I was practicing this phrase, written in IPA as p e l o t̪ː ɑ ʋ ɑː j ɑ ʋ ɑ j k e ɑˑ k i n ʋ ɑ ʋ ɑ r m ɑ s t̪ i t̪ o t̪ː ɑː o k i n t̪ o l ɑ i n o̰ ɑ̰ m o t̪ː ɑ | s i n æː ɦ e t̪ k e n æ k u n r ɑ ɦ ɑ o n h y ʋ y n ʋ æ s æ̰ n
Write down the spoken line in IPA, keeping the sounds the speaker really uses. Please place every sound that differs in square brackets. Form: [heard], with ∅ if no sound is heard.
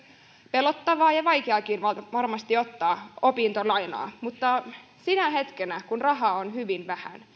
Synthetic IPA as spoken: p e l o t̪ː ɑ ʋ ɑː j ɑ ʋ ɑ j k e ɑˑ k i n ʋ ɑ ʋ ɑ r m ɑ s t̪ i [∅] o t̪ː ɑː o [p] i n t̪ o l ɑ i n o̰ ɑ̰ m [u] t̪ː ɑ | s i n [æ] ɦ e t̪ k e n æ k u n r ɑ ɦ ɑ o n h y ʋ [i] n ʋ æ [h] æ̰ n